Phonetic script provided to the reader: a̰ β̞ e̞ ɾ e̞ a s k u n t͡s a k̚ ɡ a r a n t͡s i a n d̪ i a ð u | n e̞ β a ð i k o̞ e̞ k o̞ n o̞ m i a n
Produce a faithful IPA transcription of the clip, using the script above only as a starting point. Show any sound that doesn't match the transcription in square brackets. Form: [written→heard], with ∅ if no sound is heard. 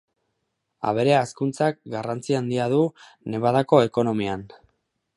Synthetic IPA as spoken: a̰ β̞ e̞ ɾ e̞ a s k u n t͡s a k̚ ɡ a r a n t͡s i a n d̪ i a ð u | n e̞ β a ð [i→a] k o̞ e̞ k o̞ n o̞ m i a n